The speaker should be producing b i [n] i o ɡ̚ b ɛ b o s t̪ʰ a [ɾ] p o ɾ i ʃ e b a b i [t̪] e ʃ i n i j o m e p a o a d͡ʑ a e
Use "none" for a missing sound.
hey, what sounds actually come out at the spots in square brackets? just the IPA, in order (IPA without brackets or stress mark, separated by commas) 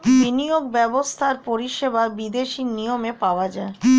n, ɾ, d̪